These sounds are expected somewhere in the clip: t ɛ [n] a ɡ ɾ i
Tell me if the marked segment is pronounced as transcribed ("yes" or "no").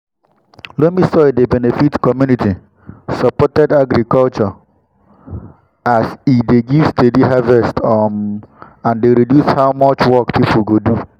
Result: no